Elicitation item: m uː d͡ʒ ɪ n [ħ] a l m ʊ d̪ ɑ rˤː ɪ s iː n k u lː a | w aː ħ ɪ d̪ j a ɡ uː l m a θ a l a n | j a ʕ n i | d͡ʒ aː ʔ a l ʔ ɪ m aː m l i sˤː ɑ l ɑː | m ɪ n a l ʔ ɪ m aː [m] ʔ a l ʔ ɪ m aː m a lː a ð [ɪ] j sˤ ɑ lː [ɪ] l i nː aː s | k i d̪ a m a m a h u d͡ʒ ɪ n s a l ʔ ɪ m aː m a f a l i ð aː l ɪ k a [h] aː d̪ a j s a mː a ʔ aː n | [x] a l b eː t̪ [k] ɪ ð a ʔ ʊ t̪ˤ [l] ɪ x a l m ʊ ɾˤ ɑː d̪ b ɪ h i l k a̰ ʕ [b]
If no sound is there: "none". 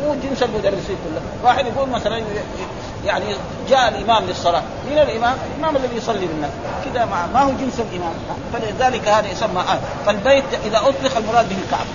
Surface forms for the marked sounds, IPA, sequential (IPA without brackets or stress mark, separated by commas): s, m, i, i, h, f, ʔ, l, b